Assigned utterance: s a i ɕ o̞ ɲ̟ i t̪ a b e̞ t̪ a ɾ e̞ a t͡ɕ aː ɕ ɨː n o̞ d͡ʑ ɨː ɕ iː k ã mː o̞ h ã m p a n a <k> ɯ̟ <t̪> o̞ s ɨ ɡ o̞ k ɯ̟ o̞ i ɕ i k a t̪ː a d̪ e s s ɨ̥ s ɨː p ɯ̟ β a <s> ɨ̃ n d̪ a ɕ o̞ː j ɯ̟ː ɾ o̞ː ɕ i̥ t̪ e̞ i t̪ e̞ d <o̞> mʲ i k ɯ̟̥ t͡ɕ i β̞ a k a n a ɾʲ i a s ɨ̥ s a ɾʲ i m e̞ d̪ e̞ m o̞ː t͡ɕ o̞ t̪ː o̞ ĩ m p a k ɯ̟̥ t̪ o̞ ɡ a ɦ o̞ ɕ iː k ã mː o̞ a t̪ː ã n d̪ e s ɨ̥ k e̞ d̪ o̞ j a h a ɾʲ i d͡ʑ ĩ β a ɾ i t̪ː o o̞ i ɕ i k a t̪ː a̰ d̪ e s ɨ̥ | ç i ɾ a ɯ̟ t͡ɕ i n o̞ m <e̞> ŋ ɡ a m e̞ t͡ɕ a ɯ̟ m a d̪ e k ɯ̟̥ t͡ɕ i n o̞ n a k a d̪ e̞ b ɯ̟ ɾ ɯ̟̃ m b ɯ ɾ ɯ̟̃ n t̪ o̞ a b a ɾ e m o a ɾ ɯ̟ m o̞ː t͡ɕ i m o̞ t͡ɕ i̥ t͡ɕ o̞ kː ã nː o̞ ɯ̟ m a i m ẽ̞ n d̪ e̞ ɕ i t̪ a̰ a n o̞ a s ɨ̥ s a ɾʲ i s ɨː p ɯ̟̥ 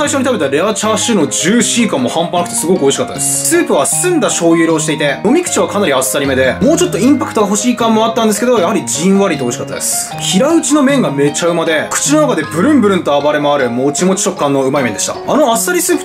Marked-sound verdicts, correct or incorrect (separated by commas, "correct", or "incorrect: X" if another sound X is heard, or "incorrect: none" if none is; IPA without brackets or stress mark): correct, correct, correct, correct, incorrect: ẽ̞